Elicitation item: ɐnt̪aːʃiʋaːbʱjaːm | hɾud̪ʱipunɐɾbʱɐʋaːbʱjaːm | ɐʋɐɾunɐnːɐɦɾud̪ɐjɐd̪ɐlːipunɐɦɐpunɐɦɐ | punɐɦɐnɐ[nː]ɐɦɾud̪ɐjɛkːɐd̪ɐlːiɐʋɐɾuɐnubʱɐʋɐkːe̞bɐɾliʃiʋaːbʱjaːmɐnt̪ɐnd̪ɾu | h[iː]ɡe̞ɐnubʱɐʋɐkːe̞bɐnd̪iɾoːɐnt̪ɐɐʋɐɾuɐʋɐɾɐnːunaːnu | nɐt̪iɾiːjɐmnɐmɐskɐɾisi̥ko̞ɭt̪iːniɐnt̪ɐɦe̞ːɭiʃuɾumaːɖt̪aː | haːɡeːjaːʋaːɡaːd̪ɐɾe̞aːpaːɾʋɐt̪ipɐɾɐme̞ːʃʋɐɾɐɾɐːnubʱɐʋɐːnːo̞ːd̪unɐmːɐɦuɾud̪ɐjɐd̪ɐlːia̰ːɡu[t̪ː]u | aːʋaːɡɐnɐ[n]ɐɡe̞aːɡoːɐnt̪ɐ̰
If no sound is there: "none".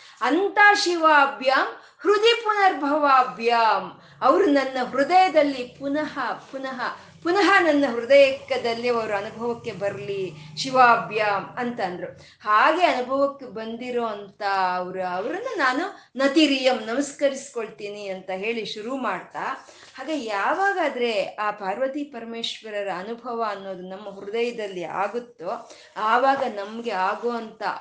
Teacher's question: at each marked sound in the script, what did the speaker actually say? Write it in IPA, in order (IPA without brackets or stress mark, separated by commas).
nː, aː, t̪ː, m